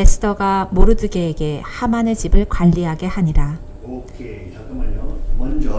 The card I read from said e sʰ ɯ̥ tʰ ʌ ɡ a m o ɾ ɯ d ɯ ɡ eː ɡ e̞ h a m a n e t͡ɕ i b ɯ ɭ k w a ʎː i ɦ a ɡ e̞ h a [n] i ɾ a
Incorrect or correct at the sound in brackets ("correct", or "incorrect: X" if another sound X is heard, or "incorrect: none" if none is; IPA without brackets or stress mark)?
incorrect: ɲ